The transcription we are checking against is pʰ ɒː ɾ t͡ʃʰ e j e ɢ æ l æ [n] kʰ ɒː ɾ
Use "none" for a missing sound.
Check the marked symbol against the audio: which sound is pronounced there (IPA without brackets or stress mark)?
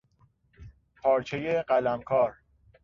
m